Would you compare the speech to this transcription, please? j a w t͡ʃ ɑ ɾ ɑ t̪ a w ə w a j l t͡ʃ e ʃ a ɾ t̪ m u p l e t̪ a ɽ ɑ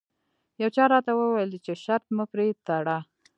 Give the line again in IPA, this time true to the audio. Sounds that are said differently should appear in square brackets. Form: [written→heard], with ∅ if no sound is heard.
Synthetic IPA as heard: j a w t͡ʃ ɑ ɾ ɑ t̪ a w ə w a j l t͡ʃ e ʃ a ɾ t̪ m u p [l→ɾ] e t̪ a ɽ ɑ